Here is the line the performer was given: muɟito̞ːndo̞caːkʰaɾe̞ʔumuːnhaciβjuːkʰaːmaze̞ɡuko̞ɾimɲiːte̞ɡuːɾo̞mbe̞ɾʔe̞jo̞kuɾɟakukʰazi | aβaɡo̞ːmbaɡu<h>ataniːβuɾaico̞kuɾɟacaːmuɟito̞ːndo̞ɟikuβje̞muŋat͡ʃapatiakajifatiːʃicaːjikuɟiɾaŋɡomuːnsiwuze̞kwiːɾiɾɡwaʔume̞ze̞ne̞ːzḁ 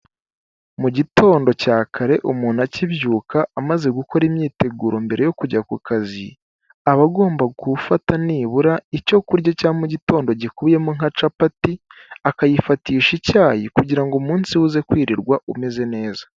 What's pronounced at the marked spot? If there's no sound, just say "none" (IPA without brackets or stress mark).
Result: f